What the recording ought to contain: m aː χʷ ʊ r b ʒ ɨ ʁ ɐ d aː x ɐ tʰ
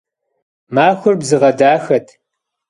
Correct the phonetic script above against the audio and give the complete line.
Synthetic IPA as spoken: m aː xʷ ʊ r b z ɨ ʁ ɐ d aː x ɐ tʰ